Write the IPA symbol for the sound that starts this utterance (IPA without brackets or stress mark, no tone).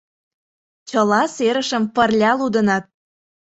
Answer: t͡ɕ